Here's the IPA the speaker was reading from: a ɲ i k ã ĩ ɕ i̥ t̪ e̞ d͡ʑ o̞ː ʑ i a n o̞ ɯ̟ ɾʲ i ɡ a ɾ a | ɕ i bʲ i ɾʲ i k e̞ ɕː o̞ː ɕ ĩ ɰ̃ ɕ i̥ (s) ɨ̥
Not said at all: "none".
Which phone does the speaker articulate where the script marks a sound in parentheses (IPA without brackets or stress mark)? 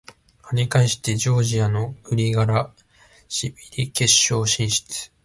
t͡s